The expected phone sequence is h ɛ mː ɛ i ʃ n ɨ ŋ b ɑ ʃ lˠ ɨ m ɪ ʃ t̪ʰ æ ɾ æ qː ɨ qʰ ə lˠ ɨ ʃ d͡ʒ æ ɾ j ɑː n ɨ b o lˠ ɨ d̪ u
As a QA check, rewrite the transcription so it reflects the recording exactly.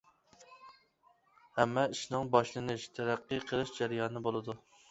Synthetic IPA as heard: h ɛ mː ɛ i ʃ n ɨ ŋ b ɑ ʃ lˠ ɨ n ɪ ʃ t̪ʰ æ ɾ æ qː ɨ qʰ ə lˠ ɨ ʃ d͡ʒ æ ɾ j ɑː n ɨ b o lˠ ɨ d̪ u